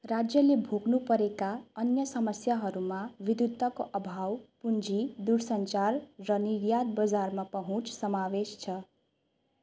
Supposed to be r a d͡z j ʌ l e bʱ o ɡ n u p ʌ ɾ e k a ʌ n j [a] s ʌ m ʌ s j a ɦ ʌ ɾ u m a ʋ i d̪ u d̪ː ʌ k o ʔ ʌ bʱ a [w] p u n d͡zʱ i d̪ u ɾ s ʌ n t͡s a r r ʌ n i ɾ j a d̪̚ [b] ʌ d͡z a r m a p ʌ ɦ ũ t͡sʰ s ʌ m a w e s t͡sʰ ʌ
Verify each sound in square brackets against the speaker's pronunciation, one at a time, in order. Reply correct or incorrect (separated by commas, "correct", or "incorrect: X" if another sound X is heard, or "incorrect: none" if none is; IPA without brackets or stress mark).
incorrect: ʌ, correct, correct